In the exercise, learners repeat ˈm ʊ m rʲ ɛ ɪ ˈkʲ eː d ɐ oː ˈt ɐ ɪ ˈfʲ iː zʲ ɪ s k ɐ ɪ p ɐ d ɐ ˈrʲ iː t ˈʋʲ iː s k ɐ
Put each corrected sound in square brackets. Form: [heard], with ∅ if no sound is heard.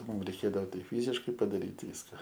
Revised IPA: ˈm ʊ m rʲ ɛ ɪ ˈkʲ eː d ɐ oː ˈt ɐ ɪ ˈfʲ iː zʲ ɪ [ʃ] k ɐ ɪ p ɐ d ɐ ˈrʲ iː t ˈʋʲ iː s k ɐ